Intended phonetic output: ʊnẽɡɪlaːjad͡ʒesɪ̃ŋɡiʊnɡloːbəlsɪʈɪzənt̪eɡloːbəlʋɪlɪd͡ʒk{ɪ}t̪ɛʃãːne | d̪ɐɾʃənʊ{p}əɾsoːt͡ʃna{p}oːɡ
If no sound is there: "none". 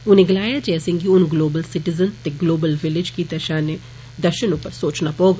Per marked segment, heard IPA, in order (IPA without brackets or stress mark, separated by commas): i, p, p